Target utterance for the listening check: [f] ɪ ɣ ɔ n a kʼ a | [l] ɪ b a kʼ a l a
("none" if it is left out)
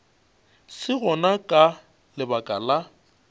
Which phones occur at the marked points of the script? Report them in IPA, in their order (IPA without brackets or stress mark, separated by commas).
s, l